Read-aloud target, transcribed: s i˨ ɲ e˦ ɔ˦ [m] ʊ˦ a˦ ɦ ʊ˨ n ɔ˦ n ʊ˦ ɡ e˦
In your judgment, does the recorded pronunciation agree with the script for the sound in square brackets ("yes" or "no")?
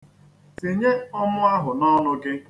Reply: yes